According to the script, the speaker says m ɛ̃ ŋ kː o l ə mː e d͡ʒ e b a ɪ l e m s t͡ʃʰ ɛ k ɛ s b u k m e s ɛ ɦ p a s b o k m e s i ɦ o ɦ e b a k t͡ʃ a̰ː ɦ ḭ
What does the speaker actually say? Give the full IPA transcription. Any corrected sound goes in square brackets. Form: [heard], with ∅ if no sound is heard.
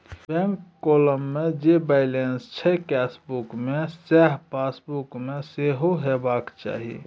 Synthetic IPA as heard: [b] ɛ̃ ŋ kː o l ə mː e d͡ʒ e b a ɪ l e [n] s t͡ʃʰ ɛ k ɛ s b u k m e s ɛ ɦ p a s b [u] k m e s [e] ɦ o ɦ e b a k t͡ʃ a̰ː ɦ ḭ